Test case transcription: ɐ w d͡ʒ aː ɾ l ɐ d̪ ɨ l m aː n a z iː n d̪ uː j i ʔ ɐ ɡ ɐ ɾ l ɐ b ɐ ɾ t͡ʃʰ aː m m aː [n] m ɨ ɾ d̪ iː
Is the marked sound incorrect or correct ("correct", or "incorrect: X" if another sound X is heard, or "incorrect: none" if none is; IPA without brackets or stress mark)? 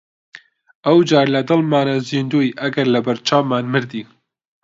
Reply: correct